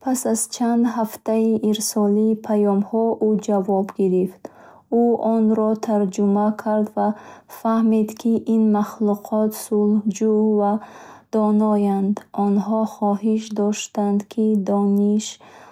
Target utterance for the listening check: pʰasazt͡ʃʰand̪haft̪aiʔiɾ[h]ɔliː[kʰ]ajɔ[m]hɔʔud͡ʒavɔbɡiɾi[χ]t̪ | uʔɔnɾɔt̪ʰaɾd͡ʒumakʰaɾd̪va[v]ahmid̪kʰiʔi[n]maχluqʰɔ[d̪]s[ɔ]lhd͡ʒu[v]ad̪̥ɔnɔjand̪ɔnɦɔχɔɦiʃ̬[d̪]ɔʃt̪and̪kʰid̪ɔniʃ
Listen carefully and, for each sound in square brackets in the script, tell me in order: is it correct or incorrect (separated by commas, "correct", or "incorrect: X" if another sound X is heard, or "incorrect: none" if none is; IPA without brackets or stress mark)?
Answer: incorrect: s, incorrect: pʰ, correct, incorrect: f, incorrect: f, correct, incorrect: t̪, incorrect: u, correct, correct